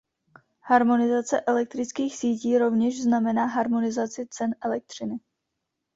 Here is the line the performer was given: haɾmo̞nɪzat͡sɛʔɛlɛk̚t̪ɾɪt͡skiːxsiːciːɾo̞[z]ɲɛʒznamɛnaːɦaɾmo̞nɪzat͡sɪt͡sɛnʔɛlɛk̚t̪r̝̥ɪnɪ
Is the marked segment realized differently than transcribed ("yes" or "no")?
yes